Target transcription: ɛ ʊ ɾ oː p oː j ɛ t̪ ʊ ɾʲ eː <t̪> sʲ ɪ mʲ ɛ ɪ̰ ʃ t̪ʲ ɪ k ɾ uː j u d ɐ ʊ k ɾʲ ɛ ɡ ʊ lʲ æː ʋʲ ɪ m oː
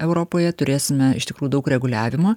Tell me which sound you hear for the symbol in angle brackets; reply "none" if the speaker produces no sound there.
none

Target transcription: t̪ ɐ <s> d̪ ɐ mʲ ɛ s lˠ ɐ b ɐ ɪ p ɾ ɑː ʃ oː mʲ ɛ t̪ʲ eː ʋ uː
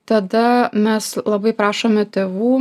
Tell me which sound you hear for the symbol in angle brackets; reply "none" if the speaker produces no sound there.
none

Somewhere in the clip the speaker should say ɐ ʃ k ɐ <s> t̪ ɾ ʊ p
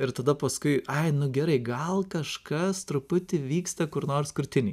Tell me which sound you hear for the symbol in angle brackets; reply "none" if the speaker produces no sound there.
s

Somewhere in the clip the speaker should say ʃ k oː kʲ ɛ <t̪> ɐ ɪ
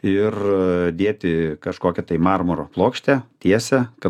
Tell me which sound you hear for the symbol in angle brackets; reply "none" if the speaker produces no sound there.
t̪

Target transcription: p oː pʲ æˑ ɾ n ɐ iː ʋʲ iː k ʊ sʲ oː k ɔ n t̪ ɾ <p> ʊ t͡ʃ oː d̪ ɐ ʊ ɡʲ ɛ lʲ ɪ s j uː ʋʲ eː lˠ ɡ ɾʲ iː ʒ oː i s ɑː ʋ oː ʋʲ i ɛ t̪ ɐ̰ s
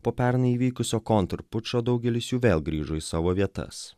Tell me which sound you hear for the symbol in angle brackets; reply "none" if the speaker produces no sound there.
p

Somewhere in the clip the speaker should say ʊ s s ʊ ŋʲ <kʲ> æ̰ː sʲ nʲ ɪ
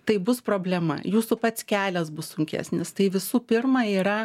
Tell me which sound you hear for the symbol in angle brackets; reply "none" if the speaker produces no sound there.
kʲ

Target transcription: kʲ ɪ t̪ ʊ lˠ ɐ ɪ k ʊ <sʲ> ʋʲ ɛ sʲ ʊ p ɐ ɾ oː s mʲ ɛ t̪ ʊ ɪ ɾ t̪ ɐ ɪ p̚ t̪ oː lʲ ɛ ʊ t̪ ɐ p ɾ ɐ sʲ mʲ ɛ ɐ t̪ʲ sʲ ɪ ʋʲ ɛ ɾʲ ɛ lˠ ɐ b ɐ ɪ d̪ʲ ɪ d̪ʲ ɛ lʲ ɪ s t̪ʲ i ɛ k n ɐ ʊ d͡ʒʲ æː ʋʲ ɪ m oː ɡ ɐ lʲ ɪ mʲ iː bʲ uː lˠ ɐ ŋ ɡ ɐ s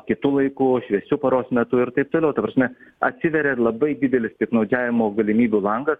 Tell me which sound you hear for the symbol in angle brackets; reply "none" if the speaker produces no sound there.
ʃʲ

